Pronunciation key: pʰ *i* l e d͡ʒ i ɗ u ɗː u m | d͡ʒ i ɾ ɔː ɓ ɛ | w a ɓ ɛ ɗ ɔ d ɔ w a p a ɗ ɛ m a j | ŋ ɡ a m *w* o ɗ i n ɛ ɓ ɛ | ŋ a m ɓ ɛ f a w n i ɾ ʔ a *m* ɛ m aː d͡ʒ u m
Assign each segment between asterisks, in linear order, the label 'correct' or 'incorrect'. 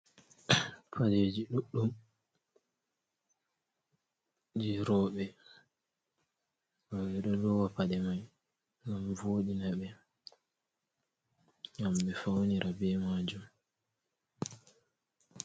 incorrect, incorrect, incorrect

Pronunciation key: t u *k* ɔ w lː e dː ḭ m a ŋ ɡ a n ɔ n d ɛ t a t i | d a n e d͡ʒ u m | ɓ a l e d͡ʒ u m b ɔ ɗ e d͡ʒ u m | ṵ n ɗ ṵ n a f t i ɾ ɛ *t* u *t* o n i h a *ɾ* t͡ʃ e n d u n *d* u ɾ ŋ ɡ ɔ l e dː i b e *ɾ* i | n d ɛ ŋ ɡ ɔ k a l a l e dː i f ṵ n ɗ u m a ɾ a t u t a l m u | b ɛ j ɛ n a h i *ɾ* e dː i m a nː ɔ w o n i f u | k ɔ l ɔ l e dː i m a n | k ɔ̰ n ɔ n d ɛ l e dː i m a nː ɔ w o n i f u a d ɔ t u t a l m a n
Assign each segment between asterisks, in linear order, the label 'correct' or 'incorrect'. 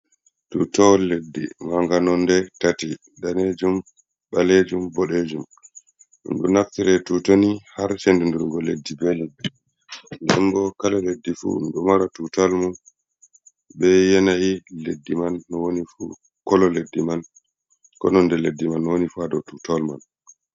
incorrect, correct, correct, correct, correct, incorrect, incorrect

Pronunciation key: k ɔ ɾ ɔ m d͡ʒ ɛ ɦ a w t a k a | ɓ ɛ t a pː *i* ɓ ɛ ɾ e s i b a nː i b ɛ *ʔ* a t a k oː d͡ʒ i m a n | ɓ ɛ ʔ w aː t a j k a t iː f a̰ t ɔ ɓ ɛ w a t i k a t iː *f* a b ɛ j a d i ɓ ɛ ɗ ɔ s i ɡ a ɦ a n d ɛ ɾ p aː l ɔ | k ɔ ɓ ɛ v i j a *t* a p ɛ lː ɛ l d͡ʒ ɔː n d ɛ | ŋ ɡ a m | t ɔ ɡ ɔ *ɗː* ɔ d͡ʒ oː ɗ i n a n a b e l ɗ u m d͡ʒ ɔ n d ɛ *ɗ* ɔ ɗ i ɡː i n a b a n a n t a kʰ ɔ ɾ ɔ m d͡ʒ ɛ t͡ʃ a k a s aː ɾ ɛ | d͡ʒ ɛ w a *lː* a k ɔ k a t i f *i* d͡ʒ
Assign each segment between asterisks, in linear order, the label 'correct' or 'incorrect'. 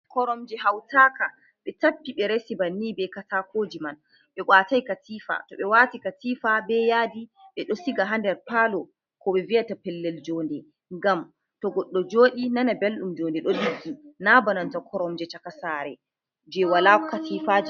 correct, incorrect, correct, correct, correct, correct, incorrect, incorrect

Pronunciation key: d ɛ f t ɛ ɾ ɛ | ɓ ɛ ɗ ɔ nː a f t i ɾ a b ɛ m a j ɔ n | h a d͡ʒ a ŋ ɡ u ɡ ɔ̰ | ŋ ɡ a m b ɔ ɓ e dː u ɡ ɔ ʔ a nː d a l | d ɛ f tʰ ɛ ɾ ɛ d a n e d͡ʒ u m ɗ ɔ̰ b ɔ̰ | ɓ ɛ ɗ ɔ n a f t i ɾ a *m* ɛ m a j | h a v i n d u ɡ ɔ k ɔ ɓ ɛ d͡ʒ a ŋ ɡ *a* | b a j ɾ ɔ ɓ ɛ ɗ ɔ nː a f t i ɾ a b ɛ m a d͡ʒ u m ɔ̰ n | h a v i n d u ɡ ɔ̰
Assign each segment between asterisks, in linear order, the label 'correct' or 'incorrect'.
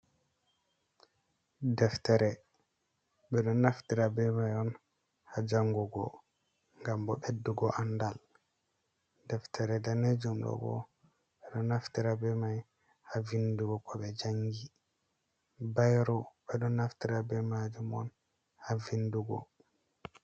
incorrect, incorrect

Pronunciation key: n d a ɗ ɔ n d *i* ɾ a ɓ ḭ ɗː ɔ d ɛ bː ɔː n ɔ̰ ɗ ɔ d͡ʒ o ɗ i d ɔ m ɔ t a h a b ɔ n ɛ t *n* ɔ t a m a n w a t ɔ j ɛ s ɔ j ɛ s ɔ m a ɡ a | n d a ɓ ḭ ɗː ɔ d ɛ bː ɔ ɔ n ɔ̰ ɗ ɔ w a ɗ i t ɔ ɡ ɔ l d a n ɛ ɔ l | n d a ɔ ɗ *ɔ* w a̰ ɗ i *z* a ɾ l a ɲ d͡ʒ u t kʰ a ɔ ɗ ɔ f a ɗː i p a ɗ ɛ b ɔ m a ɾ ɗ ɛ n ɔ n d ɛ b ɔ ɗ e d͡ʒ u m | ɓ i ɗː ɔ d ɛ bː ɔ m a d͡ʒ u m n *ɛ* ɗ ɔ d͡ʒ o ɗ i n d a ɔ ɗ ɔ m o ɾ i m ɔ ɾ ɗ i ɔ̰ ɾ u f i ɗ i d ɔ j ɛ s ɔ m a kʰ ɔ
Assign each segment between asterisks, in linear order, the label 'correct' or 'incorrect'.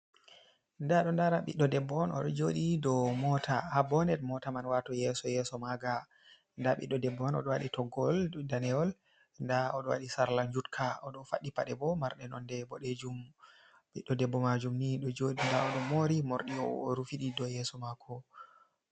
incorrect, incorrect, correct, incorrect, incorrect

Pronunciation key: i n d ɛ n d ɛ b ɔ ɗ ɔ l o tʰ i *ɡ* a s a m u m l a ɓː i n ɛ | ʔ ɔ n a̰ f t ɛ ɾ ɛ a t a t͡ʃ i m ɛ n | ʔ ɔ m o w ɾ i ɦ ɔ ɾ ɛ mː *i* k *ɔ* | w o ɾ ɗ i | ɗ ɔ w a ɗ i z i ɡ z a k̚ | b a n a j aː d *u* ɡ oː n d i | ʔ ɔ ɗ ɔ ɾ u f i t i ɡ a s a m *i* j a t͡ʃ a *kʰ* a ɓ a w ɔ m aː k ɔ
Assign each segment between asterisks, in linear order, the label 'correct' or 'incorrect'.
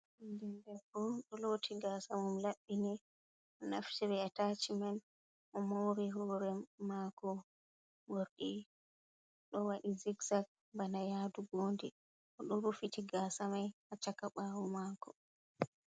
correct, incorrect, correct, correct, incorrect, incorrect

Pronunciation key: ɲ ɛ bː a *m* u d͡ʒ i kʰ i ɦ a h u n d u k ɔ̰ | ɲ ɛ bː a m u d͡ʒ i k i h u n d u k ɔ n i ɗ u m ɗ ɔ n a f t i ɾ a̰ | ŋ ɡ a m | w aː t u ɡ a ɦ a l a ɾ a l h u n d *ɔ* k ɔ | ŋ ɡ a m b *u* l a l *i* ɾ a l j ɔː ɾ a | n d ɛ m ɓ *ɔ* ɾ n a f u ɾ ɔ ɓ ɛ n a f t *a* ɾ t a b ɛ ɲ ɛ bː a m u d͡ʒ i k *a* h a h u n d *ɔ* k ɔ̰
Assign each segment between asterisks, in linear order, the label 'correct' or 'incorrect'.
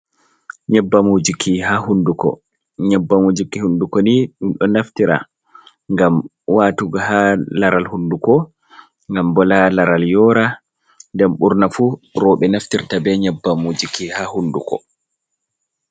correct, incorrect, incorrect, incorrect, incorrect, incorrect, incorrect, incorrect

